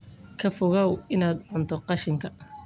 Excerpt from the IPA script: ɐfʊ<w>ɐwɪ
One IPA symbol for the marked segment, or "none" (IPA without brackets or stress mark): ɣ